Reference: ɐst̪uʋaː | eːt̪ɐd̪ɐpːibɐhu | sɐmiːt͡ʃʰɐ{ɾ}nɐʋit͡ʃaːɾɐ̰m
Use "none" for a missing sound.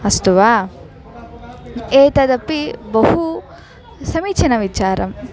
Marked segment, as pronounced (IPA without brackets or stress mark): none